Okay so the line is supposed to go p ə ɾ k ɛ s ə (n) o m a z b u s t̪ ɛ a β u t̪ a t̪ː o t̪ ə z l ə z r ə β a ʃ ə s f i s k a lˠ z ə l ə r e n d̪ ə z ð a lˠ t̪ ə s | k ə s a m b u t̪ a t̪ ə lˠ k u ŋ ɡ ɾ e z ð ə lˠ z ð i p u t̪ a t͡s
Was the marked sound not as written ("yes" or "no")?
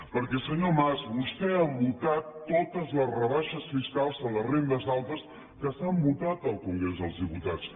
yes